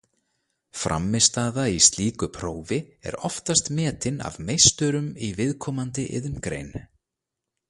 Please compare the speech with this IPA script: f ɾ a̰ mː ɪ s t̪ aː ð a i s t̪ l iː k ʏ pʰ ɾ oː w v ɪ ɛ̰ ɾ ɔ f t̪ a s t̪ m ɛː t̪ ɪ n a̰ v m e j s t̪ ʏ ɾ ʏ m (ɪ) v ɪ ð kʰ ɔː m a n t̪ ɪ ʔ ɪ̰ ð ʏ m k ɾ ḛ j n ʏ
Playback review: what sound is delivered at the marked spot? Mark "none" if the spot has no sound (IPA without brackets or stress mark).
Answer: i